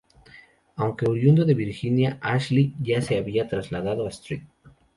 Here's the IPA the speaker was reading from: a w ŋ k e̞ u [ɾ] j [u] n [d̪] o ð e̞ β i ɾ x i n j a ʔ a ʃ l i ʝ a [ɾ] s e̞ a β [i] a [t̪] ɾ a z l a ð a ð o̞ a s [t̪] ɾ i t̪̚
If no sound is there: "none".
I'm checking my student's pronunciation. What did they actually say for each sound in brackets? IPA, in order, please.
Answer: ɾ, u, d̪, none, i, t̪, t̪

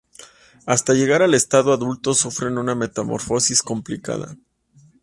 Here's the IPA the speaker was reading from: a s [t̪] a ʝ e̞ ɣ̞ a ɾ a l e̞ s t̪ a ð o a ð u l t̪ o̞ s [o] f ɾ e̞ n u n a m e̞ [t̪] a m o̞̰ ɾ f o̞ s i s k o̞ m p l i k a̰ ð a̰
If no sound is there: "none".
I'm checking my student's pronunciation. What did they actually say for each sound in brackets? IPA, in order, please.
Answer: t̪, u, t̪

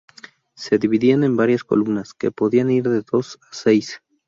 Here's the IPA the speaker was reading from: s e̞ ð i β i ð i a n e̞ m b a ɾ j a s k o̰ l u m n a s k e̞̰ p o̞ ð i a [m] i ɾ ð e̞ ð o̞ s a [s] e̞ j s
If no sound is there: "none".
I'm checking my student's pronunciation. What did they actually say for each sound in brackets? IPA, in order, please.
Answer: n, s

